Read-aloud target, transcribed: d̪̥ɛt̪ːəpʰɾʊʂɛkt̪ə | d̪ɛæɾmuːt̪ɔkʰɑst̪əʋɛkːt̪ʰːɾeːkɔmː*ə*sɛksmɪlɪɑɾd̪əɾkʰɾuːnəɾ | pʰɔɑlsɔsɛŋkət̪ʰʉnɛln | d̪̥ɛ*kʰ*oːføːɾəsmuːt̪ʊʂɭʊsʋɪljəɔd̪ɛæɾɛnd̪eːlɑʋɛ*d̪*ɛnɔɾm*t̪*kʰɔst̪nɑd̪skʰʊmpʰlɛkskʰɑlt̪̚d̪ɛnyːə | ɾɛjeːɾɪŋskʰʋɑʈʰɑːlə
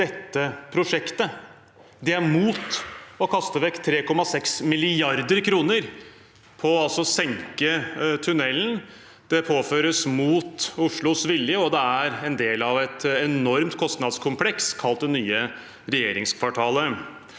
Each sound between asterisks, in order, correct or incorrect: incorrect: ɑ, incorrect: pʰ, incorrect: t̪, correct

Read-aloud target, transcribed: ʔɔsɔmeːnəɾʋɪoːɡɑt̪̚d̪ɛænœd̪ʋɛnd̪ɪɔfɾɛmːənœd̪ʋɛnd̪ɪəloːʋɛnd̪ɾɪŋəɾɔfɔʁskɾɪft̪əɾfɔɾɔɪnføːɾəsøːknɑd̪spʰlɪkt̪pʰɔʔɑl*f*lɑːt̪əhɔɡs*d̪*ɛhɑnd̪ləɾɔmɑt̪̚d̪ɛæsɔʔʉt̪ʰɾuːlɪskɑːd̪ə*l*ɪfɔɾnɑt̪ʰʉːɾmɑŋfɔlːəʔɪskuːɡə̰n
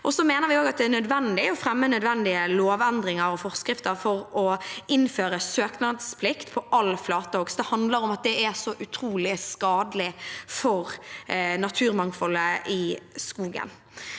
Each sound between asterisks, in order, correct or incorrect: correct, correct, correct

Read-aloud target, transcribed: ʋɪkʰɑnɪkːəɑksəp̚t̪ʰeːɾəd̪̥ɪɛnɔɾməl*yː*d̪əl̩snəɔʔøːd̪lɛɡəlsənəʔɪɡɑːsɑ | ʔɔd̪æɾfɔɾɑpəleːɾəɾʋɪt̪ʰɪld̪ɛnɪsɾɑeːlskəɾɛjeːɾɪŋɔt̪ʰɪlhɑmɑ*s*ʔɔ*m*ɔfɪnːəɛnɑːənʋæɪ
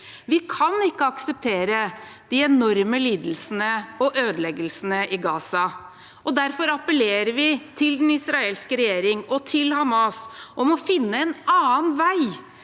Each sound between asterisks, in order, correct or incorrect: incorrect: iː, correct, correct

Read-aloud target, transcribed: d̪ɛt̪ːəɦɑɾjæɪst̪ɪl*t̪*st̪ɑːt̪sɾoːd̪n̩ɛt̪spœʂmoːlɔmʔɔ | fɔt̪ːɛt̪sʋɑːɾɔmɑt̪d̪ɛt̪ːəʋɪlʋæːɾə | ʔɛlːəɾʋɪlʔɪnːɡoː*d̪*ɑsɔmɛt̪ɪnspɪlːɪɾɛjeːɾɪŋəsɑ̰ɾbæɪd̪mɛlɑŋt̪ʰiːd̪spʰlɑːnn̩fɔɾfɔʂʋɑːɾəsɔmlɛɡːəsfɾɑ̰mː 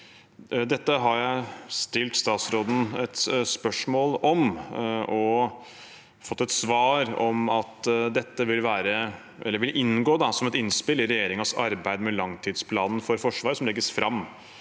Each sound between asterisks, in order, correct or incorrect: correct, correct

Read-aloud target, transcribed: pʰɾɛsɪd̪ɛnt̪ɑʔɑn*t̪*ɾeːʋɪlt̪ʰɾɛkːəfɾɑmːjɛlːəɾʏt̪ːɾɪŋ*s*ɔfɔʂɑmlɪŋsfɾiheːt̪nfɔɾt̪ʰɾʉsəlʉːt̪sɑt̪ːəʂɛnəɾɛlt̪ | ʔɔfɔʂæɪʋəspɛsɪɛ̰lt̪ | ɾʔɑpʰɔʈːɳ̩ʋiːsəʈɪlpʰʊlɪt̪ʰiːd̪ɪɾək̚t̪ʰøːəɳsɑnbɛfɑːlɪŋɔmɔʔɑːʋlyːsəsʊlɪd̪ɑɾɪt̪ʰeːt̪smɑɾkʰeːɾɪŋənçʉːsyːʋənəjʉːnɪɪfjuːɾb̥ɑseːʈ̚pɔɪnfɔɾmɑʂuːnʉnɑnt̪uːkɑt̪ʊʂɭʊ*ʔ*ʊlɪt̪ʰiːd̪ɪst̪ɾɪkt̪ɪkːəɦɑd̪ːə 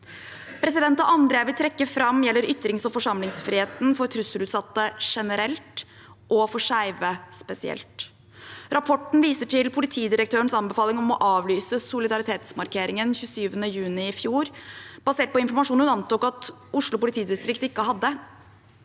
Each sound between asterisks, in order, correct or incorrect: incorrect: d̪, correct, incorrect: p

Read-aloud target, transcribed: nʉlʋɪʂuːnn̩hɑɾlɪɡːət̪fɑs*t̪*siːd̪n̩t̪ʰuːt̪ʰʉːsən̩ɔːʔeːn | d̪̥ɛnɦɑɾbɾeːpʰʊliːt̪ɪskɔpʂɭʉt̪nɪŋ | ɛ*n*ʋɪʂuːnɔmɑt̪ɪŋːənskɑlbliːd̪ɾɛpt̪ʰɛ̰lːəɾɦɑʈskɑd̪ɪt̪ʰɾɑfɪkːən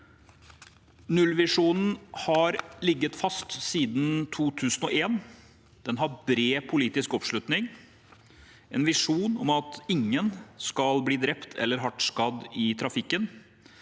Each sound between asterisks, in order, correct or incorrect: correct, correct

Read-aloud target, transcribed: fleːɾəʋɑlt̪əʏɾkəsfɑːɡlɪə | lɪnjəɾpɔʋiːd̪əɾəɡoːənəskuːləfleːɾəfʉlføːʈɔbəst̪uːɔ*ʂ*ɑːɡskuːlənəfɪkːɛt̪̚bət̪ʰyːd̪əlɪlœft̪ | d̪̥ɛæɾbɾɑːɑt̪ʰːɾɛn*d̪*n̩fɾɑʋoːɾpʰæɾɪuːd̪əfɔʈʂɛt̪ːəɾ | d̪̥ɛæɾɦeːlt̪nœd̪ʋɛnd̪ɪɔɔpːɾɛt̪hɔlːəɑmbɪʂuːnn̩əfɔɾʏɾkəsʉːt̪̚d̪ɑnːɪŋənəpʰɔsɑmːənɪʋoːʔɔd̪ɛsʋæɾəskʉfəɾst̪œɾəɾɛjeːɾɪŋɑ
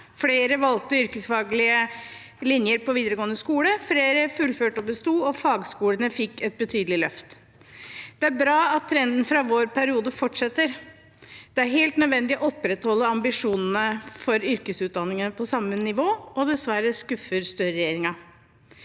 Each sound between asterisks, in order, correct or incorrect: incorrect: f, correct

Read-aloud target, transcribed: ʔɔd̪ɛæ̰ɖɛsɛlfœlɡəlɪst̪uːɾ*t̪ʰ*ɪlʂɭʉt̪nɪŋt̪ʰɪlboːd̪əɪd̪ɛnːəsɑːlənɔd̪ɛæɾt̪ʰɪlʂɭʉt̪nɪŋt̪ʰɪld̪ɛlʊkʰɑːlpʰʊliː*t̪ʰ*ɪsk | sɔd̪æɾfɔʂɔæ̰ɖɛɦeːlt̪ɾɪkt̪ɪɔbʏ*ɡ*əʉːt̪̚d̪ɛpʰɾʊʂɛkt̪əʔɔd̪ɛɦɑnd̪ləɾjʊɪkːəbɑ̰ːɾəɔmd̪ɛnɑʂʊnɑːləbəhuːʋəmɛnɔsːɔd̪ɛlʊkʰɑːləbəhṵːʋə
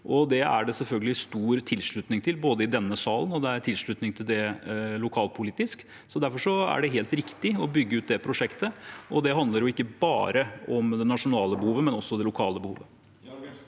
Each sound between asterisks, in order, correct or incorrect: correct, incorrect: t̪, incorrect: ɡː

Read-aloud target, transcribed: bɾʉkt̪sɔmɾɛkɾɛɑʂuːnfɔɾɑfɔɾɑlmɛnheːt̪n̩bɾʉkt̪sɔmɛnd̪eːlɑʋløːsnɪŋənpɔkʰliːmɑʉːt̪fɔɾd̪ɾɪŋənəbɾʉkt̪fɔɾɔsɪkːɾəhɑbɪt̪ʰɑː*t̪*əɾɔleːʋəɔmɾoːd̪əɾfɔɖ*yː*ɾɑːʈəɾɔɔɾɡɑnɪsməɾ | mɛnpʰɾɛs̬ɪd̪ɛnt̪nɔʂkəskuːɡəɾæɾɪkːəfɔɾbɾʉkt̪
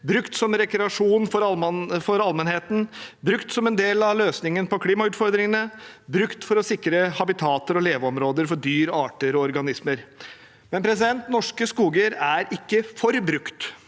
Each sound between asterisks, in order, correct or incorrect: correct, correct

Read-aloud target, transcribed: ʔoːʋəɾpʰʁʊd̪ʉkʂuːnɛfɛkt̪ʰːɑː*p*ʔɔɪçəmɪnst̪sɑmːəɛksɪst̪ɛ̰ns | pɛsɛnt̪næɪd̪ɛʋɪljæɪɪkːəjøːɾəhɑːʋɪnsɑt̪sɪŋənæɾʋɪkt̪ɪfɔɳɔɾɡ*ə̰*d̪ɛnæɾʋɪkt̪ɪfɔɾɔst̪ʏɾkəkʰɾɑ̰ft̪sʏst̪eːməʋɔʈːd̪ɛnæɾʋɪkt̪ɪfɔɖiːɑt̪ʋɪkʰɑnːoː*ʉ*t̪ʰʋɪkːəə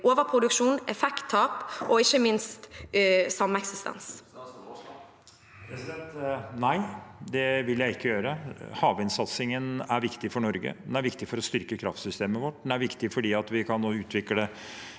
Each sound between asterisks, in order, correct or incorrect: correct, correct, incorrect: ʉː

